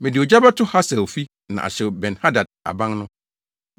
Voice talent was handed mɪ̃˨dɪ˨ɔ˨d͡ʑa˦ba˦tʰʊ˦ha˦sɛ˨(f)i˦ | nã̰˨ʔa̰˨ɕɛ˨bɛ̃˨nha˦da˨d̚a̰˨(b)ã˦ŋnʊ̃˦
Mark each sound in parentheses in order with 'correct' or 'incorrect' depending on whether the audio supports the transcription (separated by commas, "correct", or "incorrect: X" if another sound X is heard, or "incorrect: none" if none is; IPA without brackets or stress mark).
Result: correct, correct